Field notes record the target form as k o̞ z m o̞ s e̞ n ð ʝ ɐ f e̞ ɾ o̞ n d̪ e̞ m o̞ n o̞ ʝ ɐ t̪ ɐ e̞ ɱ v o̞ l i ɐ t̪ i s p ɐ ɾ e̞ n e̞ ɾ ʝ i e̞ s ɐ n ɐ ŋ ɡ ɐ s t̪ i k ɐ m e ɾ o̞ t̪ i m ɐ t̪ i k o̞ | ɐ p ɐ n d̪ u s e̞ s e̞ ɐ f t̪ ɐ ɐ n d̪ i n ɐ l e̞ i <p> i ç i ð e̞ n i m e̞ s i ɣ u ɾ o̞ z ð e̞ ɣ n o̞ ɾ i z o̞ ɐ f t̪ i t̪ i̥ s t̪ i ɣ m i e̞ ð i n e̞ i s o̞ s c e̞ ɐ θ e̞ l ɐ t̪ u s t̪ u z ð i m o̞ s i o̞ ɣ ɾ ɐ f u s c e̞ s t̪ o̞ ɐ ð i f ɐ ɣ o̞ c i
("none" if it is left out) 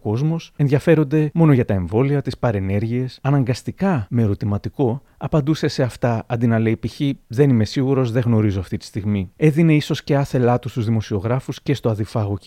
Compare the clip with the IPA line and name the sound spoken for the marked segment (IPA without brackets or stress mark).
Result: p